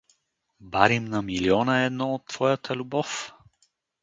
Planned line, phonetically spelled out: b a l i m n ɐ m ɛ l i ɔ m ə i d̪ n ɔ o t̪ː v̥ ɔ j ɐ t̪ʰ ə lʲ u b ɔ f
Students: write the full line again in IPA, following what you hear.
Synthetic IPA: b a ɾ i m n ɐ m i l i ɔ n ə ɛ d̪ n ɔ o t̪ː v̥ ɔ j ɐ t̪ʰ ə lʲ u b ɔ f